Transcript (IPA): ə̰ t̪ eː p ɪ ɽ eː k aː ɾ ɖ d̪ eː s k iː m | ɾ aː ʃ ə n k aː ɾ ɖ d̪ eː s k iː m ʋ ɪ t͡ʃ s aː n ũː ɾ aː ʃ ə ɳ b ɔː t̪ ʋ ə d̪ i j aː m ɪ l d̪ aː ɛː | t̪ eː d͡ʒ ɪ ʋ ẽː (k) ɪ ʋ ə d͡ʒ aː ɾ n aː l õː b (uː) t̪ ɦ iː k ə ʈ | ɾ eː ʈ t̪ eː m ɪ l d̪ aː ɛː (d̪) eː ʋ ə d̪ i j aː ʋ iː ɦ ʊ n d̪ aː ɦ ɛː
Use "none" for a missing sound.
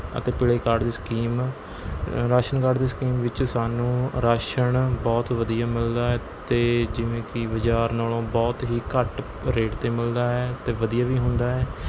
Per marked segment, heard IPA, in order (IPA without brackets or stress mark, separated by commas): k, ɔː, t̪